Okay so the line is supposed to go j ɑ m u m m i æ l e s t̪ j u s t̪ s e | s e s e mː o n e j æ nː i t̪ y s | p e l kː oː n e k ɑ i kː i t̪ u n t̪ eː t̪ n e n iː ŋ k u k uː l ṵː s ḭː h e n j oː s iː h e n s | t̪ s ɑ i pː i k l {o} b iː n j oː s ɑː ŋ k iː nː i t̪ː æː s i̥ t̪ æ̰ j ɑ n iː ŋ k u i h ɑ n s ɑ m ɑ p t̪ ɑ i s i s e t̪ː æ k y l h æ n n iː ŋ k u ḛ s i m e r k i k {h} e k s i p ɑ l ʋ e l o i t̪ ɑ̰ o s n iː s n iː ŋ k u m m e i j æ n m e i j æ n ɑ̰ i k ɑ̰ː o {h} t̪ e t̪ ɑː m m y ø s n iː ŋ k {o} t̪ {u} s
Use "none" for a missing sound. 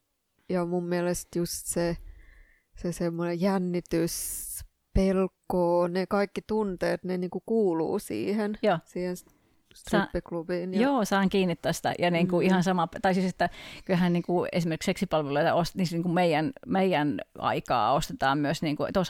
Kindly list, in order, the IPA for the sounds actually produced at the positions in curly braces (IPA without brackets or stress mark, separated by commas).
u, s, s, u, o